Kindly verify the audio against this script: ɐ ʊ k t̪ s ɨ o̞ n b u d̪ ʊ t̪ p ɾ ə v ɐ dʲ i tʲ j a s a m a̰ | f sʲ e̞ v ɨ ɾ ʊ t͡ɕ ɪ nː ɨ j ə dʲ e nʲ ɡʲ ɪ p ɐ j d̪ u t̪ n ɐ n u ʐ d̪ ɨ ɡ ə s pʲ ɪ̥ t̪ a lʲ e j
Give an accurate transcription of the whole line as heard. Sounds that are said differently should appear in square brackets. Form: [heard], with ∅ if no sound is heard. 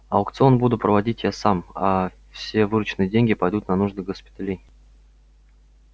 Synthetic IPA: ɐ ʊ k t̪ s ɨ o̞ n b u d̪ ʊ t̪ p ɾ ə v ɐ dʲ i tʲ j a s a m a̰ | f sʲ e̞ v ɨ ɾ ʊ t͡ɕ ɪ [n] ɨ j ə dʲ e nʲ ɡʲ ɪ p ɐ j d̪ u t̪ n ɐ n u ʐ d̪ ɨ ɡ ə s pʲ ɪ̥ t̪ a lʲ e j